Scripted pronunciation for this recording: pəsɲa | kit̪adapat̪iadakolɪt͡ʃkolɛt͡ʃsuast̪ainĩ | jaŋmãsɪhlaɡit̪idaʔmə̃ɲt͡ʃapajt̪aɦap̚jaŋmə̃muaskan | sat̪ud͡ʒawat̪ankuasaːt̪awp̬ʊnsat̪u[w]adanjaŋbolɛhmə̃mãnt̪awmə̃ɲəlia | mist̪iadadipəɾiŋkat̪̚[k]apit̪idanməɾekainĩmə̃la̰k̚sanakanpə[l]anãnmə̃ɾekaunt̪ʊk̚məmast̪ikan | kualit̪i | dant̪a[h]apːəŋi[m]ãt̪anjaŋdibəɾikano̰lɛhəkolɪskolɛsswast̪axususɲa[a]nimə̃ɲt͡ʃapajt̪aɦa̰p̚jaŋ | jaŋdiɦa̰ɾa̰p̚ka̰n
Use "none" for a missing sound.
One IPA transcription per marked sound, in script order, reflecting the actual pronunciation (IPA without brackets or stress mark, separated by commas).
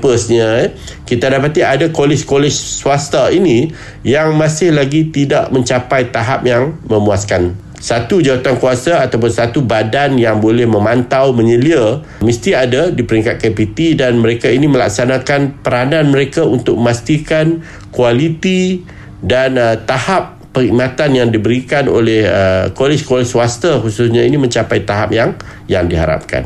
b, k, ɾ, h, m, i